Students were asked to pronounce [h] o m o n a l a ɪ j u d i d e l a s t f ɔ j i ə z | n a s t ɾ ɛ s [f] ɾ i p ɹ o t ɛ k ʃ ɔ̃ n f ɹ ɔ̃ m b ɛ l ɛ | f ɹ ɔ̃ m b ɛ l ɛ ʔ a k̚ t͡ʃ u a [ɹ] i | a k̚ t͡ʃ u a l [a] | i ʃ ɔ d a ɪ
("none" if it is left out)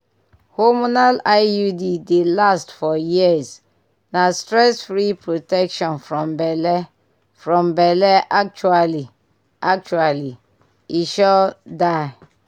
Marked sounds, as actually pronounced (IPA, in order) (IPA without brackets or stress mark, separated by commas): h, f, l, i